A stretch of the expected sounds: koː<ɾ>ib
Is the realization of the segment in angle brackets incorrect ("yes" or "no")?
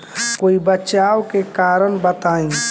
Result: yes